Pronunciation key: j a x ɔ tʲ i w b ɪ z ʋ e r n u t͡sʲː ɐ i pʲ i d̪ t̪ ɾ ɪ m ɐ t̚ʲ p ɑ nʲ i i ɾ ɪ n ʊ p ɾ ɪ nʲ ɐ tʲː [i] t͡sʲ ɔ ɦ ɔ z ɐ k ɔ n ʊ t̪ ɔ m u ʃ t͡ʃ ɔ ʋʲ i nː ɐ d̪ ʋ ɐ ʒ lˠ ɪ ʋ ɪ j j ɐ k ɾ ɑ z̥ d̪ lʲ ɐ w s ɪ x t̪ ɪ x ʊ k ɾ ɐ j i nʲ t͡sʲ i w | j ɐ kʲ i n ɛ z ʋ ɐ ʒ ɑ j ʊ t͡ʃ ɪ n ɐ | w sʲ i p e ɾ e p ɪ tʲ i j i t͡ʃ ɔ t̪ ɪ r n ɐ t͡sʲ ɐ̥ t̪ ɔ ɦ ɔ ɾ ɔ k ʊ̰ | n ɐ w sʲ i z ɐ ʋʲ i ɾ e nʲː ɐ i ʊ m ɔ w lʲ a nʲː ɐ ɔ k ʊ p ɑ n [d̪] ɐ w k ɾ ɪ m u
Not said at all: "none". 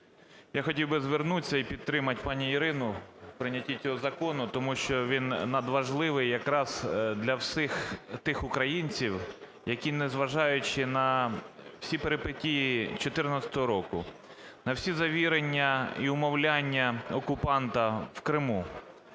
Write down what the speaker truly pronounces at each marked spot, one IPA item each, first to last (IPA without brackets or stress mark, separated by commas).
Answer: i, t̪